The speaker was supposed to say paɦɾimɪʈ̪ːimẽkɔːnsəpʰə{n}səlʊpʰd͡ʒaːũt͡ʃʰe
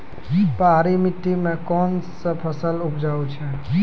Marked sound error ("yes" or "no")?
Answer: yes